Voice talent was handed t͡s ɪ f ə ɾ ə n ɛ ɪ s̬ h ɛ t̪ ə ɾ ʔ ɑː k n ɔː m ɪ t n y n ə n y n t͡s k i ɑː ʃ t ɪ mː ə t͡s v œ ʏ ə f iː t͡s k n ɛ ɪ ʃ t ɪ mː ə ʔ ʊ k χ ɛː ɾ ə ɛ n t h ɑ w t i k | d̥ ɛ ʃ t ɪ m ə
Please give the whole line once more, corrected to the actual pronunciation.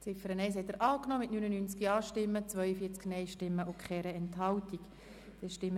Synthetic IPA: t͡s ɪ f ə ɾ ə n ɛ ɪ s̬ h ɛ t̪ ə ɾ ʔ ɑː k n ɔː m ɪ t n y n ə n y n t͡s k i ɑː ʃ t ɪ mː ə t͡s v œ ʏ ə f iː t͡s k n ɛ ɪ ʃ t ɪ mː ə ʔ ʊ k χ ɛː ɾ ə ɛ n t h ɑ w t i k | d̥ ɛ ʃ t ɪ m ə